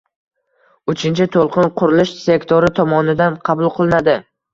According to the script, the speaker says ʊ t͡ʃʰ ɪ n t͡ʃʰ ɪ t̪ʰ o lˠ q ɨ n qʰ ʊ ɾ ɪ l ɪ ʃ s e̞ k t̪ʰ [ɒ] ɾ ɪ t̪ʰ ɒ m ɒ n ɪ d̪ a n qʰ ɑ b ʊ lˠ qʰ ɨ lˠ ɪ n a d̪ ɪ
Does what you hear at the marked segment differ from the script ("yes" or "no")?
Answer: yes